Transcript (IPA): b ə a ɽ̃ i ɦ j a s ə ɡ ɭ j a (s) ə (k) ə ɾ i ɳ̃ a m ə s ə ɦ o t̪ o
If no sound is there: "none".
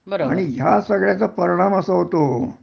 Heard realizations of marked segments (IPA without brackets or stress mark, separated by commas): t͡s, p